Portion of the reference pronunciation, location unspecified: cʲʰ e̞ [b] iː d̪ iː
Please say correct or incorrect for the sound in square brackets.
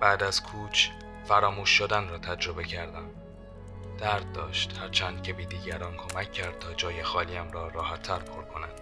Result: correct